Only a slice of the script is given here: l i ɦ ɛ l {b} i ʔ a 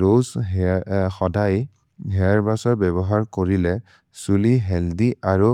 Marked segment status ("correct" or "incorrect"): incorrect